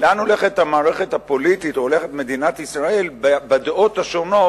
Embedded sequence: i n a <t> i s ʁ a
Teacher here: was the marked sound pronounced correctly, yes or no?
yes